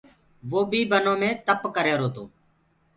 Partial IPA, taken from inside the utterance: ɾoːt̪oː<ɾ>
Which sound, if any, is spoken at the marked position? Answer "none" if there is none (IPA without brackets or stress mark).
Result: none